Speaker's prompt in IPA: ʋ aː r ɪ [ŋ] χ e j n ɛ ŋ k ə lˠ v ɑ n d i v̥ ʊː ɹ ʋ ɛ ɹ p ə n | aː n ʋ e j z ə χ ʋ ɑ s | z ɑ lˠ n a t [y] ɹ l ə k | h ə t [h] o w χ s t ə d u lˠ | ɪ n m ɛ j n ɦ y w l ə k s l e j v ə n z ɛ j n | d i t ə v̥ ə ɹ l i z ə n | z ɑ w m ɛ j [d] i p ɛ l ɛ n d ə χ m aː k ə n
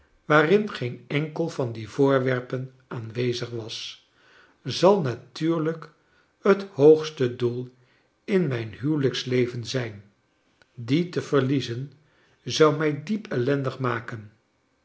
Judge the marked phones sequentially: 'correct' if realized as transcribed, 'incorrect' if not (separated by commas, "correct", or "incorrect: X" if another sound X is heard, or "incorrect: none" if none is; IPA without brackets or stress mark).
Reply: incorrect: n, incorrect: yː, correct, correct